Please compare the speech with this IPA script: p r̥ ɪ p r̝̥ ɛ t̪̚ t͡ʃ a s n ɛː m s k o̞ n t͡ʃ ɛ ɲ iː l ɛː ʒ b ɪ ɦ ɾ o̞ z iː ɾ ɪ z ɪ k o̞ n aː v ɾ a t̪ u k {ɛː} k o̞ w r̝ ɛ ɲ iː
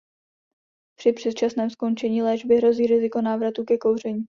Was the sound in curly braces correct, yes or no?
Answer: no